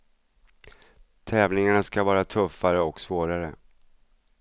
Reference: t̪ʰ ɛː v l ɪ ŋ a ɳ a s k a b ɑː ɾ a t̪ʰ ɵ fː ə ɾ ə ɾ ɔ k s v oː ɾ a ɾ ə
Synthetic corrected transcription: t̪ʰ ɛː v l ɪ ŋ a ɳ a s k a v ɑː ɾ a t̪ʰ ɵ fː a ɾ ə ɔ k s v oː ɾ a ɾ ə